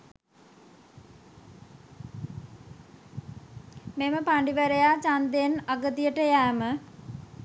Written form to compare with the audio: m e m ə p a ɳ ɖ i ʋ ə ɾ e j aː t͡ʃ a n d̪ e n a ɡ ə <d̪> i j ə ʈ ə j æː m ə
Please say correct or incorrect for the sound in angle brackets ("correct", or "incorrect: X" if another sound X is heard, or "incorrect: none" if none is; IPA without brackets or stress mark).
incorrect: t̪